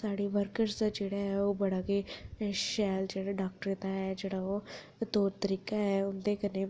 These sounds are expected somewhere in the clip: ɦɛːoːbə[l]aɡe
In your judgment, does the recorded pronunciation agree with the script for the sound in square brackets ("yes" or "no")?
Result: no